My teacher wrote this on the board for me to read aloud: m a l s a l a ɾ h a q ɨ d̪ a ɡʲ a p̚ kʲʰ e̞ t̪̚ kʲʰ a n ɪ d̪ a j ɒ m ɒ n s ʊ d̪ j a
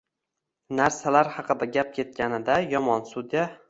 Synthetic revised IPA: n a ɾ s a l a ɾ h ɑ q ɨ d̪ a ɡʲ a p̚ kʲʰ e̞ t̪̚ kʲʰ a n ɪ d̪ a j ɒ m ɒ n s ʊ d̪ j a